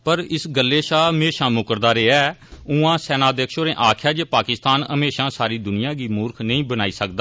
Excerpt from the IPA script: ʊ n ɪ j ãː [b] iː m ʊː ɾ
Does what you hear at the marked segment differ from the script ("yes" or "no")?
yes